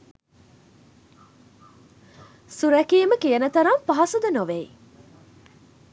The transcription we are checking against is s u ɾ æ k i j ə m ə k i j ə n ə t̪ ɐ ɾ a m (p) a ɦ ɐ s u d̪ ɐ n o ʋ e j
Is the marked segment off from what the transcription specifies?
no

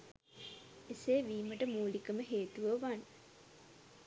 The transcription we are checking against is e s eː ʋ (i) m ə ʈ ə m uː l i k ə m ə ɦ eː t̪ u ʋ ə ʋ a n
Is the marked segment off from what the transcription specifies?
yes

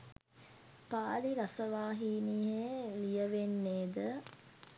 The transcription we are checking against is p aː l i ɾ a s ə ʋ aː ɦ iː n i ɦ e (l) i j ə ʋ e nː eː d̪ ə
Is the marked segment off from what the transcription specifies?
no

